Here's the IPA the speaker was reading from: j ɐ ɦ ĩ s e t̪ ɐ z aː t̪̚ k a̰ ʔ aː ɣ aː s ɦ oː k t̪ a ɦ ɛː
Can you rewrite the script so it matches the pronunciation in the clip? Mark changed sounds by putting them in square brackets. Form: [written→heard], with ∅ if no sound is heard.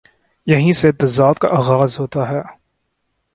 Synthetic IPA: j ɐ ɦ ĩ s e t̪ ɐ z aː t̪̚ k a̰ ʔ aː ɣ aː [s→z] ɦ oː [k→∅] t̪ a ɦ ɛː